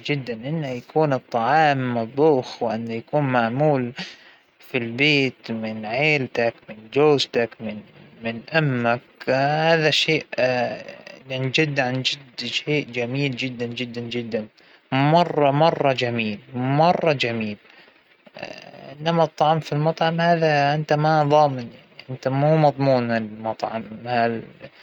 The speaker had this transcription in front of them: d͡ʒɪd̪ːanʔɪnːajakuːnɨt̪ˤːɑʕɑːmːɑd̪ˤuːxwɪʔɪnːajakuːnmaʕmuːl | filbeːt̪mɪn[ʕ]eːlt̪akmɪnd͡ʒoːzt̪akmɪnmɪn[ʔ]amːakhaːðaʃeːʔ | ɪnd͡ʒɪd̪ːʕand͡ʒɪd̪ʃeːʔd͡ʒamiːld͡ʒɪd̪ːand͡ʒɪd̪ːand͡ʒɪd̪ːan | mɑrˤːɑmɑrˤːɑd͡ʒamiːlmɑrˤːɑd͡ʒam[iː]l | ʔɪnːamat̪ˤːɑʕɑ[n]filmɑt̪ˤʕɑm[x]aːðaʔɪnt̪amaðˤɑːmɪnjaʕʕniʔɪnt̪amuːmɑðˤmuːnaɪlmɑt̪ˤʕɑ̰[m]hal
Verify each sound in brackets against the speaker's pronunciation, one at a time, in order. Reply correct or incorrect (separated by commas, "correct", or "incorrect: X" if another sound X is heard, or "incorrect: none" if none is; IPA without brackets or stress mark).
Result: correct, correct, correct, incorrect: m, incorrect: h, correct